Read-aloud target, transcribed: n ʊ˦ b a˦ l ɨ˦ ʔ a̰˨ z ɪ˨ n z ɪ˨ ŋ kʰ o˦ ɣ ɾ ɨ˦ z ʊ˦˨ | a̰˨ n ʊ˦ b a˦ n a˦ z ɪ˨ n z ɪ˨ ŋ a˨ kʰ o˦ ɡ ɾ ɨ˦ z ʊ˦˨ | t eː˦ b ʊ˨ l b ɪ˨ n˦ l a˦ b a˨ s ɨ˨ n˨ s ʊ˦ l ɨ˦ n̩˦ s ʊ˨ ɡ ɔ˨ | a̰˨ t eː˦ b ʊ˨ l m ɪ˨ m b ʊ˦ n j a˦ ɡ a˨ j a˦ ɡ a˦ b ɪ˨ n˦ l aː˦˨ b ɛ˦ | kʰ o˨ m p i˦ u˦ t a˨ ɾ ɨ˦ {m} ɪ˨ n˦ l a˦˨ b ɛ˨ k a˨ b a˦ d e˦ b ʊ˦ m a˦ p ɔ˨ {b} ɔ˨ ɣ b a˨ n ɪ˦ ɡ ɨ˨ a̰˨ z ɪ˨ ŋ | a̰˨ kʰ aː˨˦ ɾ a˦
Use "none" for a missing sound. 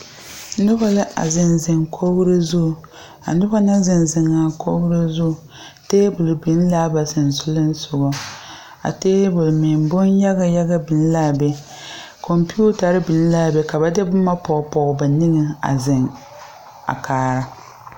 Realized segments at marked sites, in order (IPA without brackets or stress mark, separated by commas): b, p